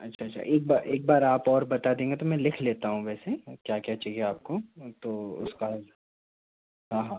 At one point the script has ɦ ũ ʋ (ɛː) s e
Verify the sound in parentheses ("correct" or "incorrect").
correct